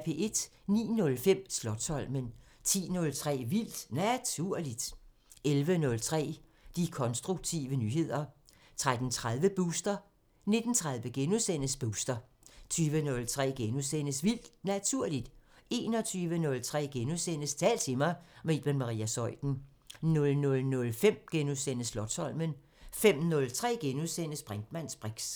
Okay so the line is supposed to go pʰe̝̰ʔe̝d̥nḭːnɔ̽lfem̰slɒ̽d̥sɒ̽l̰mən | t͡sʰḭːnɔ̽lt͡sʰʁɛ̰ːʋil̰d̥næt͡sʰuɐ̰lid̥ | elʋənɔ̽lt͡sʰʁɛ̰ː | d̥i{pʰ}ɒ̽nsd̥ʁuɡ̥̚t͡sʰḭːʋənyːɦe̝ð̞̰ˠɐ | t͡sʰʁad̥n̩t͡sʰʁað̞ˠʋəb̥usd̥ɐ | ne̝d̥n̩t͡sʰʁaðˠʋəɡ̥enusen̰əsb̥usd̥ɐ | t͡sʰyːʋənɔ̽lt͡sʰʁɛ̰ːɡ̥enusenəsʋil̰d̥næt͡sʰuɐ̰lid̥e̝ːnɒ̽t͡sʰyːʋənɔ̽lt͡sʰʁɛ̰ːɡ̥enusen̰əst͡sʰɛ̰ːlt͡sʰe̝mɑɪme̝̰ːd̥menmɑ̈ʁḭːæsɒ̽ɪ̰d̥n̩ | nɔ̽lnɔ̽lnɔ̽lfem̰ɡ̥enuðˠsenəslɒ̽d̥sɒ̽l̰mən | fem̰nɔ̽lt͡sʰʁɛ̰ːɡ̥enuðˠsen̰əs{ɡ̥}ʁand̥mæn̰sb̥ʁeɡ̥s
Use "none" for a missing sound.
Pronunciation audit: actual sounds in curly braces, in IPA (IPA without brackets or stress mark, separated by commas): kʰ, b̥